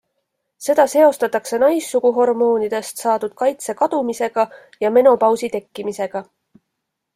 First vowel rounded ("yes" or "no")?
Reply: no